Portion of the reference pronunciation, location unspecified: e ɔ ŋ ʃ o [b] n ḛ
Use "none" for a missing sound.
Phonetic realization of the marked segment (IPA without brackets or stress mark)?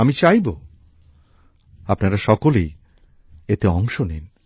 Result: none